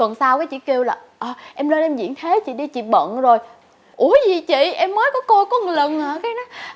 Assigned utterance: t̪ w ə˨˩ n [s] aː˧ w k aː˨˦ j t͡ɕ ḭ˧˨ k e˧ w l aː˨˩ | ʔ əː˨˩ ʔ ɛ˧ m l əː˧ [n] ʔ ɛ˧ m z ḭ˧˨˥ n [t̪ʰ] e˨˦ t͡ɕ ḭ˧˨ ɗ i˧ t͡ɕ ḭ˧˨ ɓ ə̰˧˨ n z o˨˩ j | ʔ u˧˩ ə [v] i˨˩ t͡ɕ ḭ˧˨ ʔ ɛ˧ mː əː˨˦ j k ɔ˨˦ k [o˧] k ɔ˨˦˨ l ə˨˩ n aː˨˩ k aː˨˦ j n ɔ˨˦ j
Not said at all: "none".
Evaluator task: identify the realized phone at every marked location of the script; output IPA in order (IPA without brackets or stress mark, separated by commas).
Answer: s, n, t̪ʰ, z, o˧